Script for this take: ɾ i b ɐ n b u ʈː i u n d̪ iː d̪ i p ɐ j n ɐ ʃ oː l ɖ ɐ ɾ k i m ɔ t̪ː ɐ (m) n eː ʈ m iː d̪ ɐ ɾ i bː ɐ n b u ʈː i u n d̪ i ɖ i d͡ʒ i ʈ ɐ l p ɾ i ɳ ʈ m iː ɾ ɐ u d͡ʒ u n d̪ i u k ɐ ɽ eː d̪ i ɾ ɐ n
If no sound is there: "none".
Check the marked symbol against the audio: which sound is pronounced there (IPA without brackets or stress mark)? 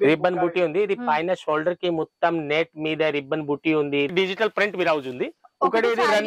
m